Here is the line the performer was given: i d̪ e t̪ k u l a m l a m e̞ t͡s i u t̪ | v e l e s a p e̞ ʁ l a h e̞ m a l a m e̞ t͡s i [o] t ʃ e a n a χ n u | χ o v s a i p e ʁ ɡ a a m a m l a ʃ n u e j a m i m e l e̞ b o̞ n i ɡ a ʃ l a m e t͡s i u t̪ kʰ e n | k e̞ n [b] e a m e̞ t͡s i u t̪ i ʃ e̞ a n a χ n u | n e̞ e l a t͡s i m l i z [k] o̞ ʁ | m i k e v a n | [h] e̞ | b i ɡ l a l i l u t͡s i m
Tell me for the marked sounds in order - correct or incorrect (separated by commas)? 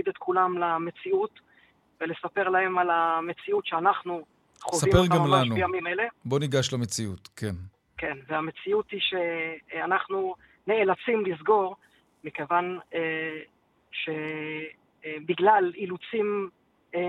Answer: incorrect, incorrect, incorrect, incorrect